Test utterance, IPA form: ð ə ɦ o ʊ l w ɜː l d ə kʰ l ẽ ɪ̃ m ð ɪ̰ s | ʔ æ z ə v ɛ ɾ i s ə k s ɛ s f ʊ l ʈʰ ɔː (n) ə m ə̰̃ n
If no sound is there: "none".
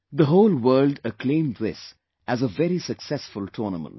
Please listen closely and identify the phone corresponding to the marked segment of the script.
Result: n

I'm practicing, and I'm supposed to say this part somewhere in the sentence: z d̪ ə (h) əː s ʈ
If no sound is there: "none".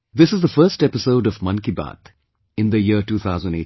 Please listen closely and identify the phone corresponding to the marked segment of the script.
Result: f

